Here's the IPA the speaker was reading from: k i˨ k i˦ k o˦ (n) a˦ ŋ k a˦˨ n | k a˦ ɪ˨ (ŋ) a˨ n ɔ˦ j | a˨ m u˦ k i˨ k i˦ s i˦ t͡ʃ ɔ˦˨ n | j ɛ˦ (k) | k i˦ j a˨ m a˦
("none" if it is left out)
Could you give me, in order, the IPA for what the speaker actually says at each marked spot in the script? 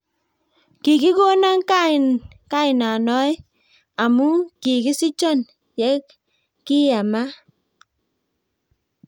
n, n, k

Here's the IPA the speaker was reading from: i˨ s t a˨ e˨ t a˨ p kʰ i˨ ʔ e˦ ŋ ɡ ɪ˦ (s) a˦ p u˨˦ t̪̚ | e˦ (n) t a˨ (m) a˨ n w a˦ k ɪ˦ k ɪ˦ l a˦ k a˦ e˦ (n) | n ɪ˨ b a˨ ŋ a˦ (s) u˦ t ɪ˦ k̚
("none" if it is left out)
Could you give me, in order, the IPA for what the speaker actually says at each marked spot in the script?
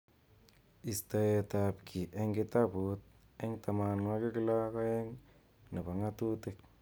t, ŋ, m, ŋ, t

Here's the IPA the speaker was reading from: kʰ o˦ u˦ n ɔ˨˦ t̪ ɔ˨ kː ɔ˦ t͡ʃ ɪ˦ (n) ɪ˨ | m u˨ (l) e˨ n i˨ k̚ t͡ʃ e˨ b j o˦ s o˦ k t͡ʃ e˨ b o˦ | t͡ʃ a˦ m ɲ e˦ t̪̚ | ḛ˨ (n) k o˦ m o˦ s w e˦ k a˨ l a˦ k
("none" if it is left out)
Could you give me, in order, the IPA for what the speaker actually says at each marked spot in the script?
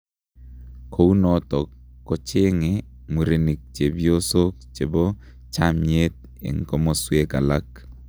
ŋ, ɾ, ŋ

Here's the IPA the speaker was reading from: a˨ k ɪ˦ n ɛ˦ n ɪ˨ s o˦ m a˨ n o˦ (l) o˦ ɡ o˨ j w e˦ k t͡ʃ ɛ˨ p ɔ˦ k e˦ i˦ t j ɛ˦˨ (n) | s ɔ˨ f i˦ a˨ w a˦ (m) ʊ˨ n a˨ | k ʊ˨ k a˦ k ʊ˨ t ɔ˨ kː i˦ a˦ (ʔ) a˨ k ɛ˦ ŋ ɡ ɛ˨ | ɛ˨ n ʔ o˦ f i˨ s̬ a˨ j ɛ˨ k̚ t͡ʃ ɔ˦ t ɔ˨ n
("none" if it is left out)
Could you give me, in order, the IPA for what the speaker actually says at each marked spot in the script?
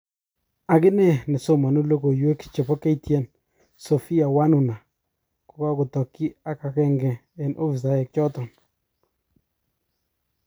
l, n, n, k

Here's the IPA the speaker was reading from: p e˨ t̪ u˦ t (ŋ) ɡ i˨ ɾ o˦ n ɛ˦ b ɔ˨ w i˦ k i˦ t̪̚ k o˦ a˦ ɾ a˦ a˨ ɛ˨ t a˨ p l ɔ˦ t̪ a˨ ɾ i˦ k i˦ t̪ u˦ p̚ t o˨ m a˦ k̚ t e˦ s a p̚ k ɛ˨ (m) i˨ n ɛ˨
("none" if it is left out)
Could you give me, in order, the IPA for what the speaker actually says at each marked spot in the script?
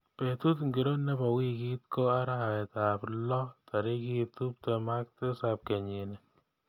ŋ, ɲ

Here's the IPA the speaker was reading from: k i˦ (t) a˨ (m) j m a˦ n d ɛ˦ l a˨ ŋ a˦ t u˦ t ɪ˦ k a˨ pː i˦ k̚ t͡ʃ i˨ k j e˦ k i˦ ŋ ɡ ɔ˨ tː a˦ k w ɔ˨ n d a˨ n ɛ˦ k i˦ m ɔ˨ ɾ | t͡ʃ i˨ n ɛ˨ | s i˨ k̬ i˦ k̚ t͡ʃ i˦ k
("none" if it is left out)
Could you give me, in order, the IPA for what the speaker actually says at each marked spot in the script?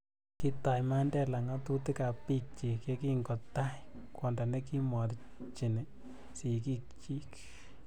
t, none

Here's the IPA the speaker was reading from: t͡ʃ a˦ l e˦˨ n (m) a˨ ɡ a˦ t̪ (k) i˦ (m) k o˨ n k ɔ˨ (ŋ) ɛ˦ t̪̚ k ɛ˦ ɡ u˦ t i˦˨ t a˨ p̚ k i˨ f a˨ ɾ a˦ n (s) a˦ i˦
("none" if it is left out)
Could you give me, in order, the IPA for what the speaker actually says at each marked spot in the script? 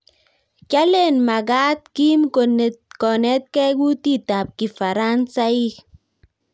m, k, m, n, s

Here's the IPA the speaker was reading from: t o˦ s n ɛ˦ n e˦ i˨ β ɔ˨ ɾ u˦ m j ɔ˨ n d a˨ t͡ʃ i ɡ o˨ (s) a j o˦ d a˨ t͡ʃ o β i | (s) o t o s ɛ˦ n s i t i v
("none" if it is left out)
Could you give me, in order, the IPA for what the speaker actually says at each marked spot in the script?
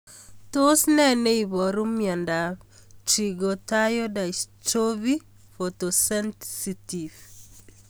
t, f

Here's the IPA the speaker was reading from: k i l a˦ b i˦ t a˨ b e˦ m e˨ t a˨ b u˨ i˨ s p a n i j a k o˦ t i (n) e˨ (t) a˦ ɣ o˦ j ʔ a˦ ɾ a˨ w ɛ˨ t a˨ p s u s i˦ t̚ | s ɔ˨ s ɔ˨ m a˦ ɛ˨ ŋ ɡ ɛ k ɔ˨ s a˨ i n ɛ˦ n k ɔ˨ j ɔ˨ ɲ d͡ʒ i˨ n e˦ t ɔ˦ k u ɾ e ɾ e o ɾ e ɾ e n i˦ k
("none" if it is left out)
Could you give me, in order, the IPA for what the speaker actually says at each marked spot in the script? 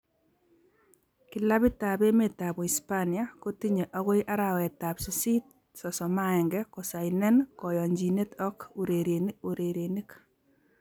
ɲ, ʔ

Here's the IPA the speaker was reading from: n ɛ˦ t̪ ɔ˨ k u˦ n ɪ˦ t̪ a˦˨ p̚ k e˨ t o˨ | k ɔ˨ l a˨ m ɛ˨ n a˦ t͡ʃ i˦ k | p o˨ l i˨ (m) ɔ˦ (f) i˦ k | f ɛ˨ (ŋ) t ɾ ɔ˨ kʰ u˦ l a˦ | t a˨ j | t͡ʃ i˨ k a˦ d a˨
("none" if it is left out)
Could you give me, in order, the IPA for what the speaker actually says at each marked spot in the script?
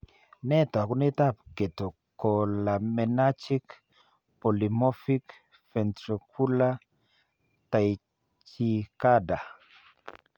m, f, n

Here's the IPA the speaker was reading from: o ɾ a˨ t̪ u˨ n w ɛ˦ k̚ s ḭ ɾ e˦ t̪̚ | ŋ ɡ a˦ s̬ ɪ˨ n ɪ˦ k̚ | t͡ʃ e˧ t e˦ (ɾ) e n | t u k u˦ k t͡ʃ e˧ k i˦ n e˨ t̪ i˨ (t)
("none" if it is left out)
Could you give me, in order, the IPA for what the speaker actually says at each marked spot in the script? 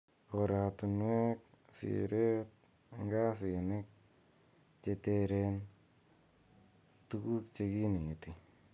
ɾ, none

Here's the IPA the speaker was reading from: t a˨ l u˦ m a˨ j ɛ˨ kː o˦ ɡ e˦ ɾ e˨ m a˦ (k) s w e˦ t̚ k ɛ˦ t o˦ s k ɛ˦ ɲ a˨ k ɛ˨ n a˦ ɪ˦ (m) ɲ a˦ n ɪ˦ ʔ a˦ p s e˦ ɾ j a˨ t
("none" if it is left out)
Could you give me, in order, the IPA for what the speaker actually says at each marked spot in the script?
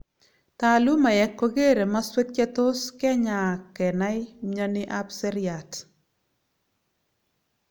none, m

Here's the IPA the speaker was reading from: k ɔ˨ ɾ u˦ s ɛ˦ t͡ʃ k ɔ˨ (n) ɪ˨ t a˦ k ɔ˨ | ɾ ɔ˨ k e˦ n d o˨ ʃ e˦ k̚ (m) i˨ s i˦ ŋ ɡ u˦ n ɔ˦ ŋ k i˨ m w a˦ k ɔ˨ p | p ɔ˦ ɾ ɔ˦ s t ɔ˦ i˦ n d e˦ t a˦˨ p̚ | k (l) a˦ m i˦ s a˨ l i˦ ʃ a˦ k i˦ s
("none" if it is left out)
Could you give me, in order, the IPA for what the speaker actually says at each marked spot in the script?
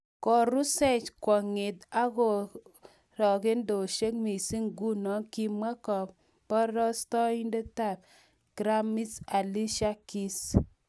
ŋ, m, ɾ

